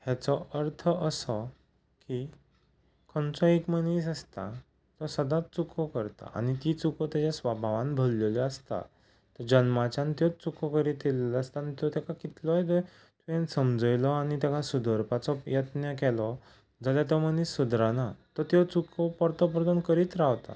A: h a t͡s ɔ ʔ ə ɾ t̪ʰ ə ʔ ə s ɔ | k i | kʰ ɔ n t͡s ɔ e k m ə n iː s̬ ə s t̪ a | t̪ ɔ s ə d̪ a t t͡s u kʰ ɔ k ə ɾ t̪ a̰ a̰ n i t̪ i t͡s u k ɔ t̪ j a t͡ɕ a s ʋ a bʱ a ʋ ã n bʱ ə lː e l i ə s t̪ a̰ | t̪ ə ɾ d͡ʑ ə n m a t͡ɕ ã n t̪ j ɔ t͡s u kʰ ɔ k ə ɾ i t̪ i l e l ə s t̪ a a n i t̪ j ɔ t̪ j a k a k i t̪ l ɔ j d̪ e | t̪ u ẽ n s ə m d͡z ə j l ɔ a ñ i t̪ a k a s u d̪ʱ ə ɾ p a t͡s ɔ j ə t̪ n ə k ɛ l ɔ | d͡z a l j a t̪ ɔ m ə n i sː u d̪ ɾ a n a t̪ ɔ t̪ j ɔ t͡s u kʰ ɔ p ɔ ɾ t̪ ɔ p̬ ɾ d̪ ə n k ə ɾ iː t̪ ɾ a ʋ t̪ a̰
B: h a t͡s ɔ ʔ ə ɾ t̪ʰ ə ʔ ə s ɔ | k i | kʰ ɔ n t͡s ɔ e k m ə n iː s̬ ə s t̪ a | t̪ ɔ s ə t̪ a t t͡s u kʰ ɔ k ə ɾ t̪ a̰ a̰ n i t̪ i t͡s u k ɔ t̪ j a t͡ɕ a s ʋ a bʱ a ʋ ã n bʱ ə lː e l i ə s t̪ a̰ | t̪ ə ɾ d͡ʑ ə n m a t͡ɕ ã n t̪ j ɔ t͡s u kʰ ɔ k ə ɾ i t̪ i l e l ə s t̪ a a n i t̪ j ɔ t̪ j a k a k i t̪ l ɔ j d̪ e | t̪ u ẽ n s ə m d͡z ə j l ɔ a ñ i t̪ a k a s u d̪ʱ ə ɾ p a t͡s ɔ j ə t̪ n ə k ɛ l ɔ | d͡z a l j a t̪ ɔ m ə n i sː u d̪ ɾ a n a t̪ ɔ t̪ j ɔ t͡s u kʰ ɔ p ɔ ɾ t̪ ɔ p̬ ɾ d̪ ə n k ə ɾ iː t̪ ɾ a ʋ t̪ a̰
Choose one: A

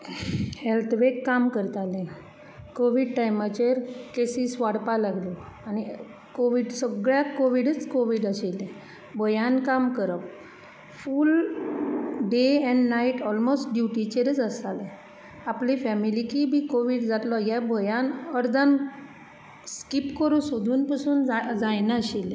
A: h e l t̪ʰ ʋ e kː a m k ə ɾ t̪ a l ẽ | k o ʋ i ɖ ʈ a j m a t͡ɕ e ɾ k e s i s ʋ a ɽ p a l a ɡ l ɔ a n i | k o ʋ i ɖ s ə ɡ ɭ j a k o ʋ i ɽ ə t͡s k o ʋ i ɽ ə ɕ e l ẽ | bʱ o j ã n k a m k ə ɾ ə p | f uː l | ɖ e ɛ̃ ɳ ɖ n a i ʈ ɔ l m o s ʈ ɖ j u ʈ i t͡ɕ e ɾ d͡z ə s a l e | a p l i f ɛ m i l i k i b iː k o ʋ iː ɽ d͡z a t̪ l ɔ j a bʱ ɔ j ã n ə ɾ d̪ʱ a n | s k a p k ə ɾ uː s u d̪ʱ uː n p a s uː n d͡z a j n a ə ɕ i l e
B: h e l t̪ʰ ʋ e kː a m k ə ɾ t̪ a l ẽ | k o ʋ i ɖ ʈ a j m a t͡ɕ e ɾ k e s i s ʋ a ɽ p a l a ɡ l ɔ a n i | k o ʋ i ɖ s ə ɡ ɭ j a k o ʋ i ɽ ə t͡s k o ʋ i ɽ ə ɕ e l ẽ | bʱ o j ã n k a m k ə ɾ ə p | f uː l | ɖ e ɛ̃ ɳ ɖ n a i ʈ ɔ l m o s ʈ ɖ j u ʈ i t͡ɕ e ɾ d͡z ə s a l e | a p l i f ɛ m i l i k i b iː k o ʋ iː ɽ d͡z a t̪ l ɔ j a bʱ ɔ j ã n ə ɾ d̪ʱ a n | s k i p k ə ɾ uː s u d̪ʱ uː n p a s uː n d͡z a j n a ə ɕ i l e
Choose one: B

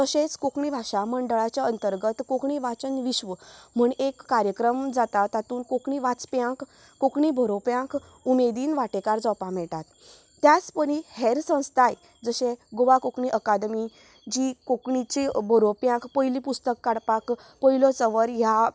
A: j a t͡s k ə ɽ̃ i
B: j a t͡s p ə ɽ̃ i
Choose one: B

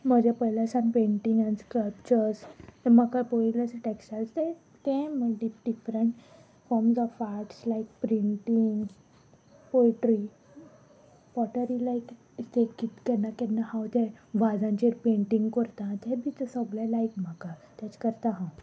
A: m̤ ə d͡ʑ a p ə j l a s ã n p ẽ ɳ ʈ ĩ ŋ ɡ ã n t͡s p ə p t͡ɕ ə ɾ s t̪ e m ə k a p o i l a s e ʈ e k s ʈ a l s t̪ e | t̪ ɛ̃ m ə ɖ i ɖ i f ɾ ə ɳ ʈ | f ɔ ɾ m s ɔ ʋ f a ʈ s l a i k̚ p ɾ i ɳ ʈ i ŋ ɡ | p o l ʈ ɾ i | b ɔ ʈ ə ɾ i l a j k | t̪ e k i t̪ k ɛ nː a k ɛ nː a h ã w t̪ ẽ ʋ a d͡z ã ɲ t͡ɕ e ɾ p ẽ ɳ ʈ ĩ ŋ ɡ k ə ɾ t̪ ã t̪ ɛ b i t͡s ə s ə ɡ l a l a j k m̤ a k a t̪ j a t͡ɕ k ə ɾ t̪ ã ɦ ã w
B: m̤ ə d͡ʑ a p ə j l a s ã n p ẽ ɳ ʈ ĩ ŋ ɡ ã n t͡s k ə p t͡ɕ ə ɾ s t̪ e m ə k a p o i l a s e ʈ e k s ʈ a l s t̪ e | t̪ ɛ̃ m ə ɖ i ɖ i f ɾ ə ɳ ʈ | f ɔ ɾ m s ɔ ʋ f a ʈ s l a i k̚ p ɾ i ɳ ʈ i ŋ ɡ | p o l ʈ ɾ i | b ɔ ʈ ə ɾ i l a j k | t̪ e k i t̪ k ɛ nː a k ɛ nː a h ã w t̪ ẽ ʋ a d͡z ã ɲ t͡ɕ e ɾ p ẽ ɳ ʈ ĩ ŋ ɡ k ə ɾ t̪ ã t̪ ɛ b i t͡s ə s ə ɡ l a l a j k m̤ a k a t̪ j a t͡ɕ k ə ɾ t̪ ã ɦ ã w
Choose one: B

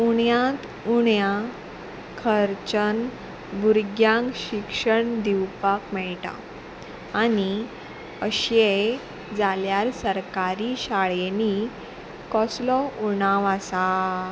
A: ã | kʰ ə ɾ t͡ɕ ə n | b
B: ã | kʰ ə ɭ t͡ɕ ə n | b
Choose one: A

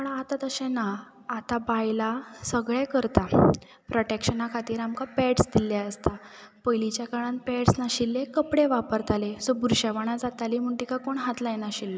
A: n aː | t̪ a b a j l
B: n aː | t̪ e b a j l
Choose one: A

